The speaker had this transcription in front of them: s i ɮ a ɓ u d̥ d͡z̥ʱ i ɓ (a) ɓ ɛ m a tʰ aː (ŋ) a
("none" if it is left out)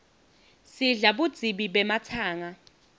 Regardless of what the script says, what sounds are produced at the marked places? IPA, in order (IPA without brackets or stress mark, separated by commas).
i, ŋ